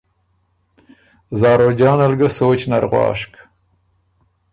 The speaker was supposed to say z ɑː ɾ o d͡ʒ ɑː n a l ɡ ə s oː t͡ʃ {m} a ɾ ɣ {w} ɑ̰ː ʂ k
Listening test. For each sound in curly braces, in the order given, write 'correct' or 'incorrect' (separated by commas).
incorrect, correct